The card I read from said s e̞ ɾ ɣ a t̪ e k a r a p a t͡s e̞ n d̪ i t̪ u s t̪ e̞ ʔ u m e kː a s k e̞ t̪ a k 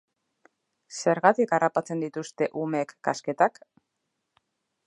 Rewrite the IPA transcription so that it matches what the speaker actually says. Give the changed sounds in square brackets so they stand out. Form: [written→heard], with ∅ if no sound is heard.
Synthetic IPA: s e̞ ɾ ɣ a t̪ [e→i] k a r a p a t͡s e̞ n d̪ i t̪ u s t̪ e̞ ʔ u m e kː a s k e̞ t̪ a k